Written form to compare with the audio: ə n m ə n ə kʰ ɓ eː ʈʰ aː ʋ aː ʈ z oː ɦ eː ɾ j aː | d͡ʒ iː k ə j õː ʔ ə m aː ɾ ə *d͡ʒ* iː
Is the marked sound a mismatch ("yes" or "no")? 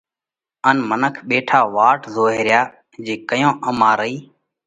yes